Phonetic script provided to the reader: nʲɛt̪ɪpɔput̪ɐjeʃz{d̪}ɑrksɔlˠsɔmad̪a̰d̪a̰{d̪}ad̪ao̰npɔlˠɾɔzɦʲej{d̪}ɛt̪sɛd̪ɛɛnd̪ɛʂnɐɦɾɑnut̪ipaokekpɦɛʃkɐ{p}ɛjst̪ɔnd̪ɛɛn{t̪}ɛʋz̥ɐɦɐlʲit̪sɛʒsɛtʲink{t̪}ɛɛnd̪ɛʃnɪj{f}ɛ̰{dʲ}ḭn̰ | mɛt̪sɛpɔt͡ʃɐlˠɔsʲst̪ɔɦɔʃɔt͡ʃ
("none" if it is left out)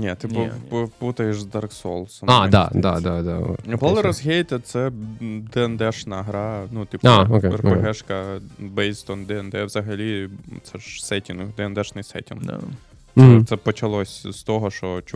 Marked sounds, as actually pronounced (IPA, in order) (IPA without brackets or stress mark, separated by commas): d̪, d̪, t̪, b, d̪, d̪, s, tʲ